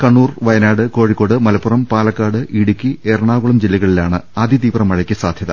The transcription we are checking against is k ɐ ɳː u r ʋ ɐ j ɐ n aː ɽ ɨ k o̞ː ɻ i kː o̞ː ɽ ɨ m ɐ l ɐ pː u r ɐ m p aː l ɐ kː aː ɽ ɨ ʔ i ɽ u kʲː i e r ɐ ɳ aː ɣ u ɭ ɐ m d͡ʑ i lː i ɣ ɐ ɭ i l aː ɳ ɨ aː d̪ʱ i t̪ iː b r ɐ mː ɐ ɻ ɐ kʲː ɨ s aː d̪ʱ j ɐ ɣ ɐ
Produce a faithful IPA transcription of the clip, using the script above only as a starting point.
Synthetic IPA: k ɐ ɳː uː r ʋ ɐ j ɐ n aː ɽ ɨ k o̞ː ɻ i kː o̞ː ɽ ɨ m ɐ l ɐ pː u r ɐ m p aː l ɐ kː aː ɽ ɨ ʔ i ɽ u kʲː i e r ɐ ɳ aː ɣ u ɭ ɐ m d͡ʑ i lː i ɣ ɐ ɭ i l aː ɳ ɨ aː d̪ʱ i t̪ iː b r ɐ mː ɐ ɻ ɐ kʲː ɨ s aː d̪ʱ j ɐ ð ɐ